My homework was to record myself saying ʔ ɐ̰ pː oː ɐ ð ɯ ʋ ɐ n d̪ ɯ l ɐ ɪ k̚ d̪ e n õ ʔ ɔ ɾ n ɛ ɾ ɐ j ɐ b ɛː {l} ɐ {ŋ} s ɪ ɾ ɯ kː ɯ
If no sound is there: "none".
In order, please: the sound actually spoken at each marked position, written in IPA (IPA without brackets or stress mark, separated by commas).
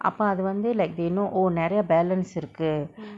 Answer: l, n